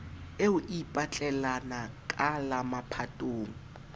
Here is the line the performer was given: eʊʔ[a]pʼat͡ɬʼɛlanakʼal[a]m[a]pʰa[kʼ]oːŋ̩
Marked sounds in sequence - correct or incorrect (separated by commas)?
incorrect, correct, correct, incorrect